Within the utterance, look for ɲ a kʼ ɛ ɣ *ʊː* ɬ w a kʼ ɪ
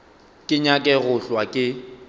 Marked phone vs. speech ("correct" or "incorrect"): incorrect